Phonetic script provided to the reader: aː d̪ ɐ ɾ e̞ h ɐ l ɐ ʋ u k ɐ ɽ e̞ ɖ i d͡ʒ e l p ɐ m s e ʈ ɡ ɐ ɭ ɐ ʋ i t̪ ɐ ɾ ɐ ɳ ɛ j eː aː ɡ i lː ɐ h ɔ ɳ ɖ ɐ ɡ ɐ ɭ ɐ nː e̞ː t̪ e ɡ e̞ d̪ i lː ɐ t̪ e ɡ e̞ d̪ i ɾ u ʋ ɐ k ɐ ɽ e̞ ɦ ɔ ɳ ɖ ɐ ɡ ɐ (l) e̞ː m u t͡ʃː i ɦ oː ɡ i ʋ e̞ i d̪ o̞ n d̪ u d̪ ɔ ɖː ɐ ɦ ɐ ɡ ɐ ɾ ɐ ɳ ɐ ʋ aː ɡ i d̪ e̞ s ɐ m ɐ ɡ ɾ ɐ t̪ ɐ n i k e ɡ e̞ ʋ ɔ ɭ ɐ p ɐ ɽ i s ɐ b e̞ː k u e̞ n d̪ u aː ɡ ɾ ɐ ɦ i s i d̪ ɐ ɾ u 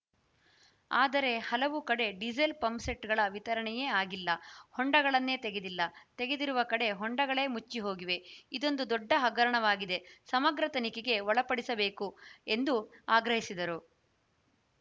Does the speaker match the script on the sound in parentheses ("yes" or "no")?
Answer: no